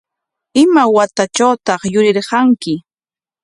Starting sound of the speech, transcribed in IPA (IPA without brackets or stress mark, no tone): ɪ